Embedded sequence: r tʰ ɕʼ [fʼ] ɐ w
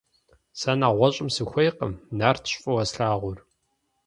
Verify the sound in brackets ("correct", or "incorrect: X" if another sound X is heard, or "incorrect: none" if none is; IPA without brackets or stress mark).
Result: correct